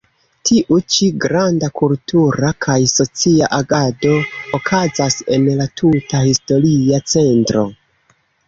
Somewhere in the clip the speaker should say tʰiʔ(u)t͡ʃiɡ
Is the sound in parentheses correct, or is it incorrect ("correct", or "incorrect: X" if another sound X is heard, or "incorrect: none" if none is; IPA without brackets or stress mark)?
correct